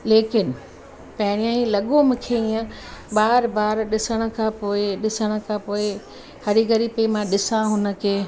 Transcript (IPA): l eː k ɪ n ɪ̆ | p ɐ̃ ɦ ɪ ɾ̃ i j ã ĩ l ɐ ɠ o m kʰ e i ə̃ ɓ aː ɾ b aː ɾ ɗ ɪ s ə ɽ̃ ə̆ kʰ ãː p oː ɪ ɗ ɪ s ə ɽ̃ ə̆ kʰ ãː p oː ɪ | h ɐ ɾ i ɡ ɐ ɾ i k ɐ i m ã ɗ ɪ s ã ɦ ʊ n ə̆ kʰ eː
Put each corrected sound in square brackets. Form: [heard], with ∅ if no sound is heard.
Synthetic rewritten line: l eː k ɪ n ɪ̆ | p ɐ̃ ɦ ɪ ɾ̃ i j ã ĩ l ɐ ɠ o m kʰ e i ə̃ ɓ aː ɾ b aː ɾ ɗ ɪ s ə ɽ̃ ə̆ kʰ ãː p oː ɪ ɗ ɪ s ə ɽ̃ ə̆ kʰ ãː p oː ɪ | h ɐ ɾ i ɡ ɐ ɾ i [p] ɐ i m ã ɗ ɪ s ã ɦ ʊ n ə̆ kʰ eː